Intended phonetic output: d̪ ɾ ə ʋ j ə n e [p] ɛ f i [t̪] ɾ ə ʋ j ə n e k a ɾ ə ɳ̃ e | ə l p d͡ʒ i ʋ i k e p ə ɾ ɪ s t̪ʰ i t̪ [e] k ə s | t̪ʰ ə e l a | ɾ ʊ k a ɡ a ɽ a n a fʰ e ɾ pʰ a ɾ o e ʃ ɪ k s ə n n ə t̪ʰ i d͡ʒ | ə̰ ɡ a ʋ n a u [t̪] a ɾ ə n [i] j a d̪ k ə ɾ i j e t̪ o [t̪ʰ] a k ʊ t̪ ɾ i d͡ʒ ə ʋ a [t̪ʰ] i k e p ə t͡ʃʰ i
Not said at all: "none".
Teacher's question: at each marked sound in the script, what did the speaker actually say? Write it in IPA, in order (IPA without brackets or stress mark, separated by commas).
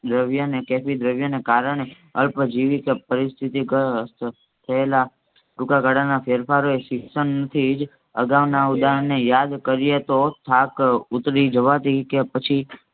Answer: k, d̪, i, d̪, e, t̪ʰ, t̪